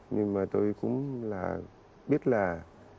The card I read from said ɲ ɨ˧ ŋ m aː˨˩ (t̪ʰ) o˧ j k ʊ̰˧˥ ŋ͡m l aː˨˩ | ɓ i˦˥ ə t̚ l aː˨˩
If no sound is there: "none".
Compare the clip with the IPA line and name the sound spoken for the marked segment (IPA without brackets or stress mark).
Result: t̪